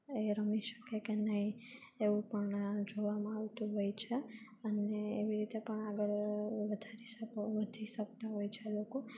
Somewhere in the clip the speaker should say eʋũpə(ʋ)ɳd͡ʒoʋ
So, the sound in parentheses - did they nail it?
no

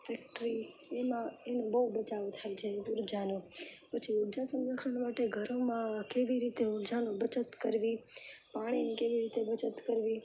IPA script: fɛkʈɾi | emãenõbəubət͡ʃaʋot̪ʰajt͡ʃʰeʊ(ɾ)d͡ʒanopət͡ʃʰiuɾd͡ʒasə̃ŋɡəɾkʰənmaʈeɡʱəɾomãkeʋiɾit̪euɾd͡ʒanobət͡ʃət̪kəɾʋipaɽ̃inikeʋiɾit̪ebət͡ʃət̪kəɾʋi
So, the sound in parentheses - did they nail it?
yes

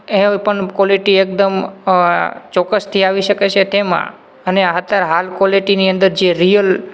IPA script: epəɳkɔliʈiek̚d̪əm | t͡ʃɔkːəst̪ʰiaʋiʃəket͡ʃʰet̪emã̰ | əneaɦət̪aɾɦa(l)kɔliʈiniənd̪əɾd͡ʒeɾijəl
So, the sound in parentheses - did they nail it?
yes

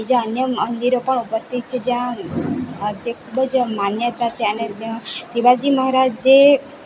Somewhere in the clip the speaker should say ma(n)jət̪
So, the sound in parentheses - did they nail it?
yes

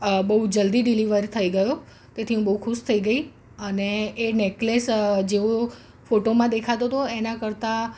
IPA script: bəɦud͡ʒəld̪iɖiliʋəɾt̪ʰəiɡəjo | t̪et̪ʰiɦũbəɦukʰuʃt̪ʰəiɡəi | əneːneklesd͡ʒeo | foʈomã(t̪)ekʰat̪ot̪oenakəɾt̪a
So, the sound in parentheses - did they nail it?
no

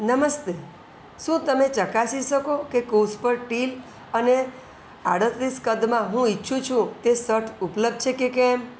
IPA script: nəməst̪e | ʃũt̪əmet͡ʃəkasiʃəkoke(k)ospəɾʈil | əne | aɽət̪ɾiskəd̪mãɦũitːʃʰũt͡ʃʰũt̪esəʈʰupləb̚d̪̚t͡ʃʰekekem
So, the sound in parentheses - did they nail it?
yes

